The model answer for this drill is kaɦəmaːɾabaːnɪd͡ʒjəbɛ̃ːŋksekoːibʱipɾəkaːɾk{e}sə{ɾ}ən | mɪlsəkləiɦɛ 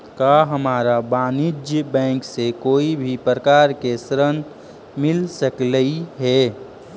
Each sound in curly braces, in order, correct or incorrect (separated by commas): correct, correct